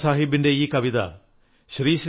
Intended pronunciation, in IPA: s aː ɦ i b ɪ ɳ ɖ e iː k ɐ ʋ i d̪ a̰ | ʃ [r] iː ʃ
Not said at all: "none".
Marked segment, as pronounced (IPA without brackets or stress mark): ɾ